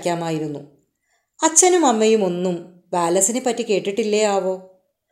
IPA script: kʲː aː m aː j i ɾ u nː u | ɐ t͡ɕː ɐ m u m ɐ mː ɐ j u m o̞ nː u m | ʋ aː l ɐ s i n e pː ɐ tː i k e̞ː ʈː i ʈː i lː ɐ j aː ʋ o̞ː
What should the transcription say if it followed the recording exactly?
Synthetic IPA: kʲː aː m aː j i ɾ u nː u | ɐ t͡ɕː ɐ n u m ɐ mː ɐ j u m o̞ nː u m | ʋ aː l ɐ s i n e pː ɐ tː i k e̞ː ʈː i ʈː i lː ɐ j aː ʋ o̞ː